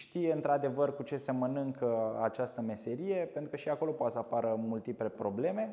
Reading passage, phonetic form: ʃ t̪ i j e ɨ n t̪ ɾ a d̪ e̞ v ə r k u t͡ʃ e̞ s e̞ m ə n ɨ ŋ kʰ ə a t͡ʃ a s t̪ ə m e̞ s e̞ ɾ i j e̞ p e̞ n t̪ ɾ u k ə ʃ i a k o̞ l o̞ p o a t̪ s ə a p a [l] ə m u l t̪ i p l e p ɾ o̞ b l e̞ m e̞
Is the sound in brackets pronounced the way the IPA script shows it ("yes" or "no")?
no